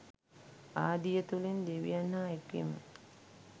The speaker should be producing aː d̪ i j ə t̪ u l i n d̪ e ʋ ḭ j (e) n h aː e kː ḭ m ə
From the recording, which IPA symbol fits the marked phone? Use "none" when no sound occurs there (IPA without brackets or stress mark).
a